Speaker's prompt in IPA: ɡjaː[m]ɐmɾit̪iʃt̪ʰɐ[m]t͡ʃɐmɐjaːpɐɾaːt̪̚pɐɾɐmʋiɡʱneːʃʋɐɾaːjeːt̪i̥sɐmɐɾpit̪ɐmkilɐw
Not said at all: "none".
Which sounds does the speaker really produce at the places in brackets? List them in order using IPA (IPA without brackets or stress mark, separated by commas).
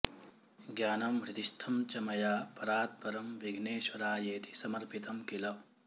n, m